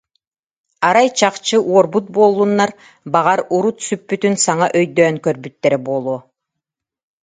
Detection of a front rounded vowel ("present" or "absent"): present